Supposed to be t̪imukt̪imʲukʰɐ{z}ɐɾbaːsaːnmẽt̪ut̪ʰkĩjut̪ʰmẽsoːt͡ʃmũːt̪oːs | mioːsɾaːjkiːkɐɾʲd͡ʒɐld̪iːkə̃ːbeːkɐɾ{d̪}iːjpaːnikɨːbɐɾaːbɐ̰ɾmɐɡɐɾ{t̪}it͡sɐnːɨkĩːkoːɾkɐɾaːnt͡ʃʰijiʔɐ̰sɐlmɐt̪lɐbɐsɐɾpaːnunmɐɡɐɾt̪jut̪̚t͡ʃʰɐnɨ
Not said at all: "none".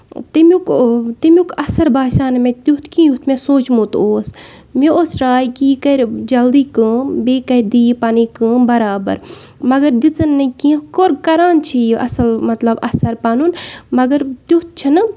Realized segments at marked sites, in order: s, d̪, d̪

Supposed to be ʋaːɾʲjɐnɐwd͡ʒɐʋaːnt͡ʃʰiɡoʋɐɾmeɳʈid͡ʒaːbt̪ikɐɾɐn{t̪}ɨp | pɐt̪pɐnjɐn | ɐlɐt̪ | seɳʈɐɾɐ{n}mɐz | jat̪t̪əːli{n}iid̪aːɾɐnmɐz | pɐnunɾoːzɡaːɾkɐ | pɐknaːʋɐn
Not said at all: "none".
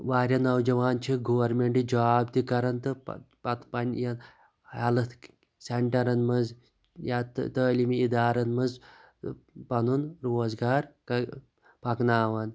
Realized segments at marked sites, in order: t̪, n, m

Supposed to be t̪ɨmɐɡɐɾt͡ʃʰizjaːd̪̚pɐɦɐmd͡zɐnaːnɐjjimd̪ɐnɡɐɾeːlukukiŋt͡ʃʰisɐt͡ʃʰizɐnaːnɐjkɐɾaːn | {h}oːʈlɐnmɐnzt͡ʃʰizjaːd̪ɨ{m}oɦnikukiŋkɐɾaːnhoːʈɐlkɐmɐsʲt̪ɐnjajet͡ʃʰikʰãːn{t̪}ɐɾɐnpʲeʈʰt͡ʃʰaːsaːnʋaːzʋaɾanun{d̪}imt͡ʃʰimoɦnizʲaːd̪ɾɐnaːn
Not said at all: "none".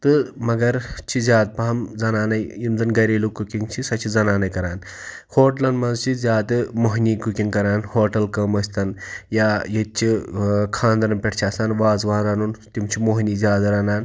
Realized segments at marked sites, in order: h, m, d̪, t̪

